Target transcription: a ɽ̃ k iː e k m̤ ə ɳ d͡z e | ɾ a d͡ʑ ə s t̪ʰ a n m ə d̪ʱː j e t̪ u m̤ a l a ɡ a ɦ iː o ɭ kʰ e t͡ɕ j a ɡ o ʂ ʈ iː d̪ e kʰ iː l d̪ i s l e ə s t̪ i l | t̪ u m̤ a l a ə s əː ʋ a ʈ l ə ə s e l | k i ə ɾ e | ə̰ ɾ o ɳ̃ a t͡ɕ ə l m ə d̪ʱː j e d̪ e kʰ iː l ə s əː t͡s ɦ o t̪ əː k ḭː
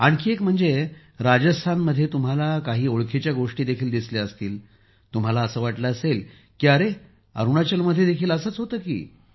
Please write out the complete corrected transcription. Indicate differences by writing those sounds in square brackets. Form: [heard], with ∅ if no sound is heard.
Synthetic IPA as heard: a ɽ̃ k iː e k m̤ ə ɳ d͡z e | ɾ a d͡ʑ ə s t̪ʰ a n m ə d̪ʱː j e t̪ u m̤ a l a [k] a ɦ iː o ɭ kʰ e t͡ɕ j a ɡ o ʂ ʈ iː d̪ e kʰ iː l d̪ i s l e ə s t̪ [iː] l | t̪ u m̤ a l a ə s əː ʋ a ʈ l ə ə s e l | k i ə ɾ e | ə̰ ɾ [u] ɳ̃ a t͡ɕ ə l m ə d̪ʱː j e d̪ e kʰ iː l ə s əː t͡s ɦ o t̪ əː k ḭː

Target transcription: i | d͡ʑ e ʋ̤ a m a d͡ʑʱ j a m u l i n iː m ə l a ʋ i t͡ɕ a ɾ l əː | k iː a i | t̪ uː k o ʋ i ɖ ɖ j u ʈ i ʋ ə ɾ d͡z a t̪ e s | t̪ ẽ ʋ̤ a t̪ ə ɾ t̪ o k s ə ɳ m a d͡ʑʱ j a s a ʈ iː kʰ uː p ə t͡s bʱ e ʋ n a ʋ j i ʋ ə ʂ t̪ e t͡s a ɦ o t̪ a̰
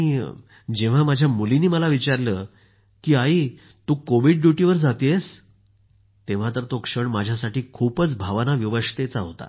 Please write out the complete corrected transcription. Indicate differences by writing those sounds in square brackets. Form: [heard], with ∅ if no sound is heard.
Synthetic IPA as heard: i | d͡ʑ e ʋ̤ a m a d͡ʑʱ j a m u l i n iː m ə l a ʋ i t͡ɕ a ɾ l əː | k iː a i | t̪ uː k o ʋ i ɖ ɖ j u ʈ i ʋ ə ɾ d͡z a t̪ e s | t̪ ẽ ʋ̤ a t̪ ə ɾ t̪ o k [ʂ] ə ɳ m a d͡ʑʱ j a s a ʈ iː kʰ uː p ə t͡s bʱ [a] ʋ n a ʋ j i ʋ ə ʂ t̪ e t͡s a ɦ o t̪ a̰

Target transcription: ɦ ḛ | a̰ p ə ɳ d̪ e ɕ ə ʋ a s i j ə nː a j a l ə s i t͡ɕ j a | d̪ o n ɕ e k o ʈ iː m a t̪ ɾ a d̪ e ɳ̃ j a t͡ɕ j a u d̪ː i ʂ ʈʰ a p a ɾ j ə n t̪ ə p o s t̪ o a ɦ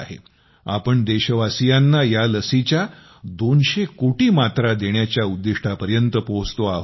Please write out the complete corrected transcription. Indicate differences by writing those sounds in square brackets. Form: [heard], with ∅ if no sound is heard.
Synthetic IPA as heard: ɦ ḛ | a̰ p ə ɳ d̪ e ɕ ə ʋ a s i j [a] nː a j a l ə s i t͡ɕ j a | d̪ o n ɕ e k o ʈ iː m a t̪ ɾ a d̪ e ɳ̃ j a t͡ɕ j a u d̪ː i ʂ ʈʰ a p [ə] ɾ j ə n t̪ ə p o s t̪ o a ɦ

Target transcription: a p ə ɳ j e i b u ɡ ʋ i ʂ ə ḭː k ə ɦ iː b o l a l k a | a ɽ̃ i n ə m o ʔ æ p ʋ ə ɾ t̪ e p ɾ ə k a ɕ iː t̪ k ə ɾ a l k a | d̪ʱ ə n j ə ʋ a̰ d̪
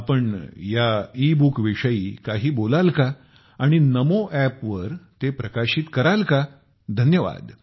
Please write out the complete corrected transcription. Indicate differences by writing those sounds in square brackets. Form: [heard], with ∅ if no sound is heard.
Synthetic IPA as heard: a p ə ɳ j [a] i b u [k] ʋ i ʂ ə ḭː k [a] ɦ iː b o l a l k a | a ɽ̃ i n ə m o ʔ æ p ʋ ə ɾ t̪ e p ɾ ə k a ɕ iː t̪ k ə ɾ a l k a | d̪ʱ ə n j ə ʋ a̰ d̪

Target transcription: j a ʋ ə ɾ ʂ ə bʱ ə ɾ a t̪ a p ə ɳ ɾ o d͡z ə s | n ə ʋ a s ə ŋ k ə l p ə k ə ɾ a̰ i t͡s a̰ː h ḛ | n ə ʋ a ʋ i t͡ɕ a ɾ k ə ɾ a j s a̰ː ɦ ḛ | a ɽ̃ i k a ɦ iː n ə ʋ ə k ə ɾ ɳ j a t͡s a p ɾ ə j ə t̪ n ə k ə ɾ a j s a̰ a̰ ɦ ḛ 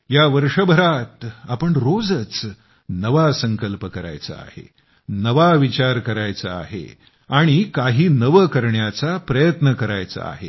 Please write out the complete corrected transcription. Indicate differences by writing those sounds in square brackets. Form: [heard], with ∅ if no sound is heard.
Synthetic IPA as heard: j a ʋ ə ɾ ʂ ə bʱ ə ɾ a t̪ a p ə ɳ ɾ o d͡z ə [t͡s] | n ə ʋ a s ə ŋ k ə l p ə k ə ɾ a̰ [j] t͡s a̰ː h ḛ | n ə ʋ a ʋ i t͡ɕ a ɾ k ə ɾ a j [t͡s] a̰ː ɦ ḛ | a ɽ̃ i k a ɦ iː n ə ʋ ə k ə ɾ ɳ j a t͡s a p ɾ ə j ə t̪ n ə k ə ɾ a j [t͡s] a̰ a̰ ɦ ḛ

